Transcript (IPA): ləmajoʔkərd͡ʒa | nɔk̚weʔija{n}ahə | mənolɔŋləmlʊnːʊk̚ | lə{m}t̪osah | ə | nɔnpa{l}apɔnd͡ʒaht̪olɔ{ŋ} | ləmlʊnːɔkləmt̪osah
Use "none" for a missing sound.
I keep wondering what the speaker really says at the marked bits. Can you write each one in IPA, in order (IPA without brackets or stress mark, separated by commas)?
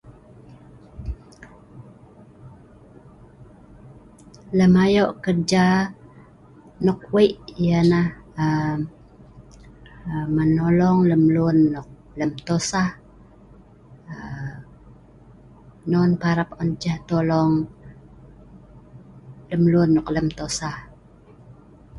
n, m, ɾ, ŋ